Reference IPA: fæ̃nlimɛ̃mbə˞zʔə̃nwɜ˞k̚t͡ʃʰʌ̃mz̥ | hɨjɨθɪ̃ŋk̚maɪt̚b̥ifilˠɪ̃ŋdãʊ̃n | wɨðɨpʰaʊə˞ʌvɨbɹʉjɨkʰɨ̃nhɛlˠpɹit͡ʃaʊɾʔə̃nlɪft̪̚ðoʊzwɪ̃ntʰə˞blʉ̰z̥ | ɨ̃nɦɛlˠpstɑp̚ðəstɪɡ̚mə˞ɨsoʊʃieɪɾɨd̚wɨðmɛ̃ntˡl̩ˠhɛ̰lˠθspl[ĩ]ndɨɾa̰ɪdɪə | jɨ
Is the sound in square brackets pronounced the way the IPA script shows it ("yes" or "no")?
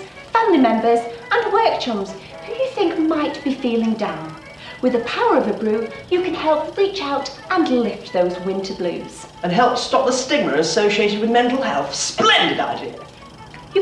no